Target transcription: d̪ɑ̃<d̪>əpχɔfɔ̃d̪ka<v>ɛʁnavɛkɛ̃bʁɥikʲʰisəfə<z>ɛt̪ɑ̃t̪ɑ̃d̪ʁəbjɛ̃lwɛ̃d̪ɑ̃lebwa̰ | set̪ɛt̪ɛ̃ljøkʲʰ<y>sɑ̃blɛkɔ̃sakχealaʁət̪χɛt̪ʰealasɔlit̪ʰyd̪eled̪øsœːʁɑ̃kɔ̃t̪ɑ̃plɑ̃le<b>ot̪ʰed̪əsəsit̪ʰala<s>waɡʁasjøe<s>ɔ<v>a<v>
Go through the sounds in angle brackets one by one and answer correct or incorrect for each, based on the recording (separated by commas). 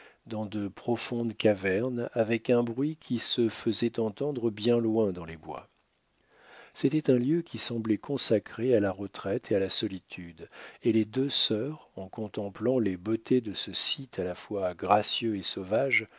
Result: correct, correct, correct, incorrect, correct, incorrect, correct, correct, incorrect